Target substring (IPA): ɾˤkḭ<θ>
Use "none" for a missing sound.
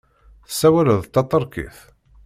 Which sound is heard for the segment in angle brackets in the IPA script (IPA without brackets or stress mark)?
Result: θ